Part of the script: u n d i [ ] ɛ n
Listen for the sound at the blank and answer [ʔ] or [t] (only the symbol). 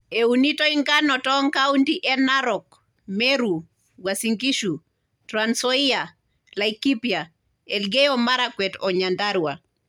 ʔ